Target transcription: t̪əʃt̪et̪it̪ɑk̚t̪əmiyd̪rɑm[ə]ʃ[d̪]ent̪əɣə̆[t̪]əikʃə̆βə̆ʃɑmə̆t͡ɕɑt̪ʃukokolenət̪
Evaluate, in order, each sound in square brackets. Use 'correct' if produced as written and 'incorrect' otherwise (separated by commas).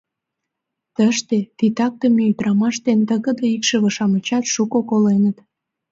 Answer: incorrect, incorrect, incorrect